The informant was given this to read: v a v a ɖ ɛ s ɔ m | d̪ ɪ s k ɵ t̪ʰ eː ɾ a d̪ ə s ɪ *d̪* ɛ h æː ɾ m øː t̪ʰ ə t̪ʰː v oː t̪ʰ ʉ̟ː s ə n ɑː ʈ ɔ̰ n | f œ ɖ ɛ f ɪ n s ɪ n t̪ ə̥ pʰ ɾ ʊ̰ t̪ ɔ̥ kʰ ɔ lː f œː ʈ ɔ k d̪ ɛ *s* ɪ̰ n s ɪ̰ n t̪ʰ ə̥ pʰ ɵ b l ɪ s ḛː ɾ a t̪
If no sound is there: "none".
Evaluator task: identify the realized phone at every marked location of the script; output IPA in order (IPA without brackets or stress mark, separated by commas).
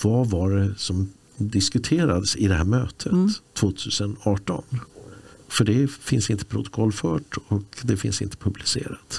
d̪, f